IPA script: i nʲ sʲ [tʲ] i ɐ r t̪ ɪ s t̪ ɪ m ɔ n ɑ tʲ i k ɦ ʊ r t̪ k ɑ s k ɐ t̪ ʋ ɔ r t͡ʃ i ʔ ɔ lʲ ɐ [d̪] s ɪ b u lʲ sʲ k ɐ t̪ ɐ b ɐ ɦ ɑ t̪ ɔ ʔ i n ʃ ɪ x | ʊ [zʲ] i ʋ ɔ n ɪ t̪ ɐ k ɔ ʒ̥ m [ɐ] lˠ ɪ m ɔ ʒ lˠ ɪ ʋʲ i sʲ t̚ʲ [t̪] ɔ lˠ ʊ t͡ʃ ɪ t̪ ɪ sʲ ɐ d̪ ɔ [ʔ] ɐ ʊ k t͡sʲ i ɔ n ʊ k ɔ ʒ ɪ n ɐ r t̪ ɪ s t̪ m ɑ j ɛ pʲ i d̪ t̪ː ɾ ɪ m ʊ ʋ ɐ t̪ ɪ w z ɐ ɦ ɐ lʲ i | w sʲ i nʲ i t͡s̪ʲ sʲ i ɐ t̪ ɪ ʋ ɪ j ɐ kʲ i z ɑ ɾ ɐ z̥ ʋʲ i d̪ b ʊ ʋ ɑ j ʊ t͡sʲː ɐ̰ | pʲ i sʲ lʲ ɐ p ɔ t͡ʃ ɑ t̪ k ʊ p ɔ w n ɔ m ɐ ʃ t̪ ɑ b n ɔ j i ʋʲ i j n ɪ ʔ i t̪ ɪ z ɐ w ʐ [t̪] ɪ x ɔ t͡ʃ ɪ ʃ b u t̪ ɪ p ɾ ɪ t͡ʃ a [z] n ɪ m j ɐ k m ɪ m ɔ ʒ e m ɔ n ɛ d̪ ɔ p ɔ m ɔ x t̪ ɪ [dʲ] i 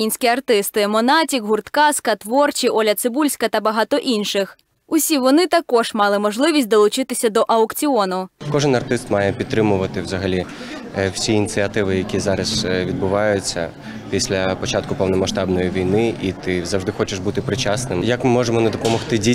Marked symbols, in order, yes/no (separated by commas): no, no, no, no, no, yes, no, no, yes